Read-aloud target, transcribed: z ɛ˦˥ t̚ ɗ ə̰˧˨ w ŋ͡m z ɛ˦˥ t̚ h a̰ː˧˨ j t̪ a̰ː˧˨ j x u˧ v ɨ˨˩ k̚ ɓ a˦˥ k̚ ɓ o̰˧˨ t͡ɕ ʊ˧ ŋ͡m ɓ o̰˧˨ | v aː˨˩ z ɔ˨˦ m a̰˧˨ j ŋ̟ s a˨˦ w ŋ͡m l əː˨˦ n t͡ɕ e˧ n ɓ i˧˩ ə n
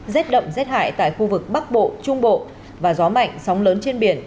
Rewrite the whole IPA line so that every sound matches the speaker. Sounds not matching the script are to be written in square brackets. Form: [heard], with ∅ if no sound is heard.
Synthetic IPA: z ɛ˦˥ t̚ ɗ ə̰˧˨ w ŋ͡m z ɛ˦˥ t̚ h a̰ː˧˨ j t̪ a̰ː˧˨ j x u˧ v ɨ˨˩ k̚ ɓ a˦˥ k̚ ɓ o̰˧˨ t͡ɕ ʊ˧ ŋ͡m ɓ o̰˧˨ | v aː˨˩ z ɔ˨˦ m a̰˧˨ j ŋ̟ s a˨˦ w ŋ͡m l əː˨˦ n t͡ɕ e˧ n ɓ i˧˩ ə n